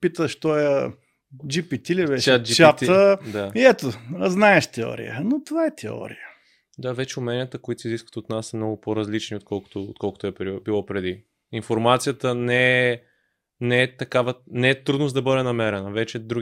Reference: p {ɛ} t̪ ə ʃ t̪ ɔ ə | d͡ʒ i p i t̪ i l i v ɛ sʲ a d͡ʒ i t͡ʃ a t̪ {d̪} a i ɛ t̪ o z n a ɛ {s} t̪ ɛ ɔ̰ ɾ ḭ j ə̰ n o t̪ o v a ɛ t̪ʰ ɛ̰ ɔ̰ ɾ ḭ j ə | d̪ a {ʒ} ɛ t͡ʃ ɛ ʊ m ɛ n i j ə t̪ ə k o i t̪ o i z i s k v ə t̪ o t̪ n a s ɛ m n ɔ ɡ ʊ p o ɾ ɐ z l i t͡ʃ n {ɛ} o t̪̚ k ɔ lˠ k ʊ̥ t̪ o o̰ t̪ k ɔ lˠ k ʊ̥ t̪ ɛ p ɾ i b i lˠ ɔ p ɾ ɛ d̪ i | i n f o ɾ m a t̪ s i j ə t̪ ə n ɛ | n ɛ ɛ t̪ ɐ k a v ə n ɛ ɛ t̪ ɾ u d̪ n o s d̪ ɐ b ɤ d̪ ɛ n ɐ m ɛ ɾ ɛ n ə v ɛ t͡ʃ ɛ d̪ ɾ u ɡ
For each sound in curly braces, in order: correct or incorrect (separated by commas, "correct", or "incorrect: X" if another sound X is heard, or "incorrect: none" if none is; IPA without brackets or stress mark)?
incorrect: i, correct, incorrect: ʃ, incorrect: v, incorrect: i